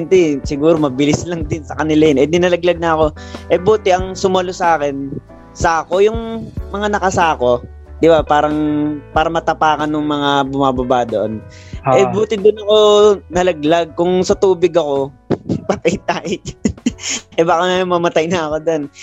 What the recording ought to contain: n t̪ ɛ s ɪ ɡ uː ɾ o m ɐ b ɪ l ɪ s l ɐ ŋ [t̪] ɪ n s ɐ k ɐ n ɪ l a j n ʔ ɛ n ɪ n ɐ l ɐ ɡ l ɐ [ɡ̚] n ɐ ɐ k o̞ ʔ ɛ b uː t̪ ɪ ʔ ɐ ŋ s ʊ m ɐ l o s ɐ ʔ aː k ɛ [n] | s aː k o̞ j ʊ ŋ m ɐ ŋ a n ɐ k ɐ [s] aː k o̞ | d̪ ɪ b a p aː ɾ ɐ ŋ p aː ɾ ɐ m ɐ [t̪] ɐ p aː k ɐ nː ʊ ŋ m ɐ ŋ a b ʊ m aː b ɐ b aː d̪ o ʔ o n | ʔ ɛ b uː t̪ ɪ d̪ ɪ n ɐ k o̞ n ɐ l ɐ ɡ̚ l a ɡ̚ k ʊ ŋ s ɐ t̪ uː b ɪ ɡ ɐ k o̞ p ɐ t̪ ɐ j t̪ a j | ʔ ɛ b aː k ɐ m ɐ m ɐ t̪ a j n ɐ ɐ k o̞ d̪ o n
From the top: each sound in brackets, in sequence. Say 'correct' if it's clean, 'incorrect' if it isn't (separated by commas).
incorrect, correct, correct, correct, correct